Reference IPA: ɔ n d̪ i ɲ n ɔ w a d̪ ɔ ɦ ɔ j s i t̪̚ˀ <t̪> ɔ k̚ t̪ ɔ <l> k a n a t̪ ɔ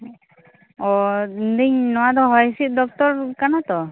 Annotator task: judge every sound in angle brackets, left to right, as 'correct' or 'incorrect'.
incorrect, incorrect

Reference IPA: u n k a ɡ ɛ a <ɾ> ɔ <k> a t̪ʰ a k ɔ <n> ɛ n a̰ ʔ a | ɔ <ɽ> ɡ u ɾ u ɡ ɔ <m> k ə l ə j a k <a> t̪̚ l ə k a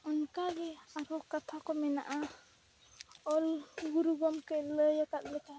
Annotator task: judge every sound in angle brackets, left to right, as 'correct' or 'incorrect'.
correct, correct, incorrect, incorrect, correct, correct

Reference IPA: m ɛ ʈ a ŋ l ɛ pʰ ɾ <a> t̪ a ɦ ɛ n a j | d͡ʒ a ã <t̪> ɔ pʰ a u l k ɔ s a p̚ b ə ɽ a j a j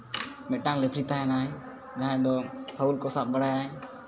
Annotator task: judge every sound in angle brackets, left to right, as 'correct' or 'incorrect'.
incorrect, incorrect

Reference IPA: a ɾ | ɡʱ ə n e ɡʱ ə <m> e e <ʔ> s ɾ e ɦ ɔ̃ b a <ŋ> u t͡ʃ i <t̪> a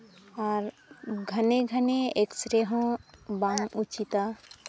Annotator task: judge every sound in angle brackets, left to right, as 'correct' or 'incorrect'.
incorrect, incorrect, correct, correct

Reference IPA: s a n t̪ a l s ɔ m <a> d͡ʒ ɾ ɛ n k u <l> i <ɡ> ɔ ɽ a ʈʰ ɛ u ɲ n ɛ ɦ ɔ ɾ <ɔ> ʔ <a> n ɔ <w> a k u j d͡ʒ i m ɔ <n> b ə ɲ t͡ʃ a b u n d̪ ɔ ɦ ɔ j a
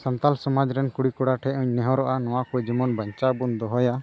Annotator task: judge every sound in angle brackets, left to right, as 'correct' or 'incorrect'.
correct, incorrect, incorrect, correct, correct, correct, correct

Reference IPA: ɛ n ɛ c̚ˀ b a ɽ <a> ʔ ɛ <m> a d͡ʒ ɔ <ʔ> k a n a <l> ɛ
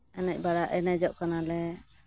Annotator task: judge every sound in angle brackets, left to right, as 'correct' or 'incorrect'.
correct, incorrect, correct, correct

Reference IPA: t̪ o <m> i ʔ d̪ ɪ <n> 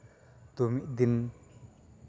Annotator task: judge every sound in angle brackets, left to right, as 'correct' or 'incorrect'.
correct, correct

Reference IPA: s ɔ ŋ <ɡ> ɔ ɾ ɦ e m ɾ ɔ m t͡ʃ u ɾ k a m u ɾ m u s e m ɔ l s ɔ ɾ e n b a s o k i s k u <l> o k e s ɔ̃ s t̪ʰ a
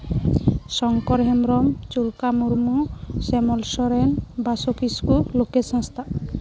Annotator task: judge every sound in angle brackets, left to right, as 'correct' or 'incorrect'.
incorrect, correct

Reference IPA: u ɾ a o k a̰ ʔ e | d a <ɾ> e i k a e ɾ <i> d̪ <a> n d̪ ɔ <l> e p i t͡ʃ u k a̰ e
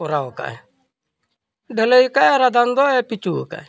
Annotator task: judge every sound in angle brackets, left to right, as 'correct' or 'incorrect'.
incorrect, incorrect, correct, incorrect

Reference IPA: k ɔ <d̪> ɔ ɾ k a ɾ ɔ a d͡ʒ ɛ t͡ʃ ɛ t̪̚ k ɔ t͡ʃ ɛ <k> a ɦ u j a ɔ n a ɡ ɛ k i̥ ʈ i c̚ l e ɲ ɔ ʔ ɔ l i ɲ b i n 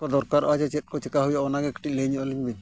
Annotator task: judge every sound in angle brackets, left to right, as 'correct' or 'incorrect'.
correct, correct

